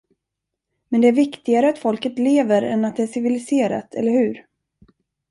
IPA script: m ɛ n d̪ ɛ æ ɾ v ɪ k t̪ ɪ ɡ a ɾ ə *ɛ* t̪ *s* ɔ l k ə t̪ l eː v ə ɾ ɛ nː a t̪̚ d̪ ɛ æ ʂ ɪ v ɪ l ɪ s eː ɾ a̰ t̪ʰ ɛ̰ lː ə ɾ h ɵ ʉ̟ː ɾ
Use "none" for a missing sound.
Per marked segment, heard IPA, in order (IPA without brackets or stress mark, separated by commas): a, f